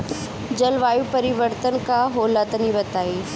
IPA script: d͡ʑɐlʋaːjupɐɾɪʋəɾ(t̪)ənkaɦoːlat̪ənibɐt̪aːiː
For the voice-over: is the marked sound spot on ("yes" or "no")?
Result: yes